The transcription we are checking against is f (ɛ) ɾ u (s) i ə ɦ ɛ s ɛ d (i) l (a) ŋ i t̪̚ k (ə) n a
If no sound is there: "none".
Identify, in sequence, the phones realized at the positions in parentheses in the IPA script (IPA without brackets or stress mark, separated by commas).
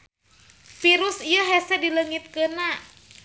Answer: i, s, i, ə, ə